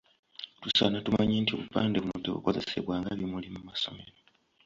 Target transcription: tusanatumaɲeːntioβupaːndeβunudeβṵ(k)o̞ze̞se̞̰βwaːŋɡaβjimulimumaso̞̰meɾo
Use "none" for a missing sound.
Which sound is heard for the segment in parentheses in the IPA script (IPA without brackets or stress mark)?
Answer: k